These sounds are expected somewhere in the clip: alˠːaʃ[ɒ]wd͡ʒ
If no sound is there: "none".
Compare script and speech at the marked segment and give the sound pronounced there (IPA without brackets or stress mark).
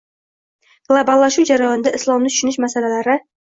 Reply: u